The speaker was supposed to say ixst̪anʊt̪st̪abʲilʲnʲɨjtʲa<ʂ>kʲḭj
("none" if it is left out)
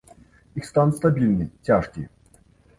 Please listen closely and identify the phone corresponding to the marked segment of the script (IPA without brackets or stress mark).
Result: ʂ